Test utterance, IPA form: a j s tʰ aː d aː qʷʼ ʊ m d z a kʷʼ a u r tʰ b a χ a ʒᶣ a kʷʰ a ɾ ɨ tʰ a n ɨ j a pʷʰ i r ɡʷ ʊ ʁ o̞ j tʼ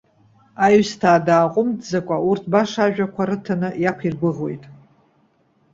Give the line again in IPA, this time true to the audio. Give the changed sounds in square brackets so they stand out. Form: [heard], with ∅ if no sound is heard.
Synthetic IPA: a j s tʰ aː d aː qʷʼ ʊ m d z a kʷʼ a u r tʰ b a [ʂ] a ʒᶣ a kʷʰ a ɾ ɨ tʰ a n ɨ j a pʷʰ i r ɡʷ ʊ ʁ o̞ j tʼ